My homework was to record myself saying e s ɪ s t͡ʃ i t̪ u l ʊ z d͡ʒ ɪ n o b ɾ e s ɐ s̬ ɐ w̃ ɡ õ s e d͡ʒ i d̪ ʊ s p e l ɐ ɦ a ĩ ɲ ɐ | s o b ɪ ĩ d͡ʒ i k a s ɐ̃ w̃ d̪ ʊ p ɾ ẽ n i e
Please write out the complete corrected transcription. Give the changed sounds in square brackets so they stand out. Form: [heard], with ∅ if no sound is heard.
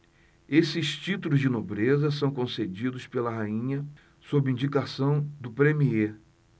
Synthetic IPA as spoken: e s ɪ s t͡ʃ i t̪ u l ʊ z d͡ʒ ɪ n o b ɾ e [z] ɐ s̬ [ɐ̃] w̃ [k] õ s e d͡ʒ i d̪ ʊ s p e l ɐ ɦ a ĩ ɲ ɐ | s o b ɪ ĩ d͡ʒ i k a s ɐ̃ w̃ d̪ ʊ p ɾ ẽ [m] i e